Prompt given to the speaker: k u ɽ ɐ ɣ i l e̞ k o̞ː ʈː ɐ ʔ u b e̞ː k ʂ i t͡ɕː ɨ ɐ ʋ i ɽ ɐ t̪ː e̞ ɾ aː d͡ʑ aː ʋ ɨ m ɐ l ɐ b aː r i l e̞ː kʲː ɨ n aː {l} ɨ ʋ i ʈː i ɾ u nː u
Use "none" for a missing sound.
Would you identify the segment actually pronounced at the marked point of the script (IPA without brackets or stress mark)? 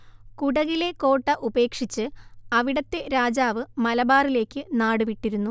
ɽ